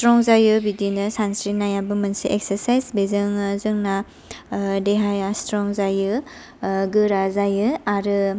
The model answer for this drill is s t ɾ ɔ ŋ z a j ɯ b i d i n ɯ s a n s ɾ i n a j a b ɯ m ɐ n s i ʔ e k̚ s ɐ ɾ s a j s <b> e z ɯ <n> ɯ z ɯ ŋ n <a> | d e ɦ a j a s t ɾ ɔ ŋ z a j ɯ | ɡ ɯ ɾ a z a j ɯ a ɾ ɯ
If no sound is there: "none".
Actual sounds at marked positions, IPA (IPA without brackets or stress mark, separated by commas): b, ŋ, a